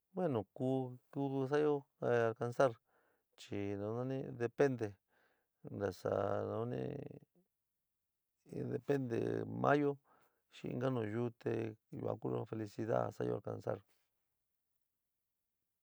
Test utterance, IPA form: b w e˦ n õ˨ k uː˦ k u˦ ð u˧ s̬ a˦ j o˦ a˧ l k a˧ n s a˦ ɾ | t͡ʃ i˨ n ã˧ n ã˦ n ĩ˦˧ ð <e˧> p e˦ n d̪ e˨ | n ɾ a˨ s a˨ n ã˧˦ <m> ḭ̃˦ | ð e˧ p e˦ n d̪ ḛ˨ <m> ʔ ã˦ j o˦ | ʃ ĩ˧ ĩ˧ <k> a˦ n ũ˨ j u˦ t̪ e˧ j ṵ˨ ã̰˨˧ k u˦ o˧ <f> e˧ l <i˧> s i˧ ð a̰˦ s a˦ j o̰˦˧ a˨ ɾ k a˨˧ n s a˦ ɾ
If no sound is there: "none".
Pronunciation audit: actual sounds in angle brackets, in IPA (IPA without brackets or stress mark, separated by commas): e˧, n, m, ɡ, f, i˧